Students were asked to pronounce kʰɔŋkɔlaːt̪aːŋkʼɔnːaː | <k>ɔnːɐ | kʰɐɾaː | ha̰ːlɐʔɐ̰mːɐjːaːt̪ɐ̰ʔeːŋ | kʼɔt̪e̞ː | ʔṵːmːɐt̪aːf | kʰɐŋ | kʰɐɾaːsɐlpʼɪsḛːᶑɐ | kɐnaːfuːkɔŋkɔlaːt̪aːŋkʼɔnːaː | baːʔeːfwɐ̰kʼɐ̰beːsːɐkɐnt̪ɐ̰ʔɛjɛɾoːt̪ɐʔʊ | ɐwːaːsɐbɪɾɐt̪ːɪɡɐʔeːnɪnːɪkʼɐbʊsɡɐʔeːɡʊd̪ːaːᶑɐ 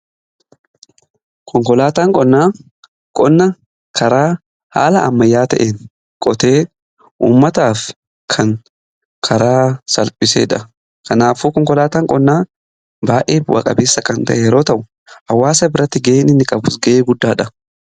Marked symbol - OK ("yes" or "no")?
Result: no